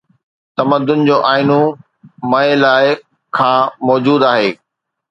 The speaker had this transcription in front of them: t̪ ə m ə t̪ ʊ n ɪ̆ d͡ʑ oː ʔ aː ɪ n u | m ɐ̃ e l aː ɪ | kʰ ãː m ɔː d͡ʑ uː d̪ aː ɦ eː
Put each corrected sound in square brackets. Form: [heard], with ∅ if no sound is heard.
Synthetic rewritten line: t̪ [ɐ] m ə [d̪] ʊ n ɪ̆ d͡ʑ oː ʔ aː ɪ n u | m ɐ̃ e l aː ɪ | kʰ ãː m ɔː d͡ʑ uː d̪ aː ɦ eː